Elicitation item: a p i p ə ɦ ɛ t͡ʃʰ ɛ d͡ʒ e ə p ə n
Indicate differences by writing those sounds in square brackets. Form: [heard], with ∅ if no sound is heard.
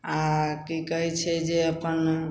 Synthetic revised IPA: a [k] i [k] ə ɦ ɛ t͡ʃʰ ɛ d͡ʒ e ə p ə n